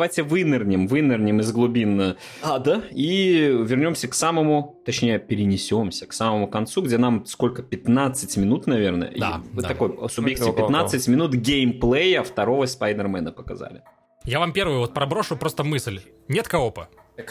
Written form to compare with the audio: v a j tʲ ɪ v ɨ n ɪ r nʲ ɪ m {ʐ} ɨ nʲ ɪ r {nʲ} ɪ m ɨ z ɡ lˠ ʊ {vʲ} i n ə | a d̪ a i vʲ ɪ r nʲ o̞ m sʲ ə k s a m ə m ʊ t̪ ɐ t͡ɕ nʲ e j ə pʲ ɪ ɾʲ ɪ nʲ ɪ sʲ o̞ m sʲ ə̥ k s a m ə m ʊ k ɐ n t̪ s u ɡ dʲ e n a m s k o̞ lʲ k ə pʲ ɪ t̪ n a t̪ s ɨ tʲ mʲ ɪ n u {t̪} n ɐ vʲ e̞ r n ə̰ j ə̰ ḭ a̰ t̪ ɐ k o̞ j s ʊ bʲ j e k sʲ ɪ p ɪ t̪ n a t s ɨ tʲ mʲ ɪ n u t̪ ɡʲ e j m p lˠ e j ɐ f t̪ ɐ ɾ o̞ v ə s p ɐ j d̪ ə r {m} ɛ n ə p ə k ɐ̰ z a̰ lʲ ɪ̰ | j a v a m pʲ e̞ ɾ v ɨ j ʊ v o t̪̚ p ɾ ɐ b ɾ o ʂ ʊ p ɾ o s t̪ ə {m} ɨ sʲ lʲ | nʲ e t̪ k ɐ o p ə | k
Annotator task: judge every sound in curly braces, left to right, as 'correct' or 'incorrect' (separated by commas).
incorrect, correct, incorrect, correct, correct, correct